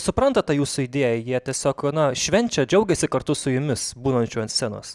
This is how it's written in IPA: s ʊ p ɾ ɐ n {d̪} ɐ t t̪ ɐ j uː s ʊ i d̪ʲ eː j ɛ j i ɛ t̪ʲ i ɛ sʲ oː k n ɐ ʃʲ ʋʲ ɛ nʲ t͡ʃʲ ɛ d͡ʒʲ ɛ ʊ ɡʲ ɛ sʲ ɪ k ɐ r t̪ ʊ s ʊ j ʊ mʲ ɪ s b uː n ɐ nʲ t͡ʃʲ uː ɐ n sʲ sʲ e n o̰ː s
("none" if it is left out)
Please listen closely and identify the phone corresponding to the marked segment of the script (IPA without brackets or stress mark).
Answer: t̪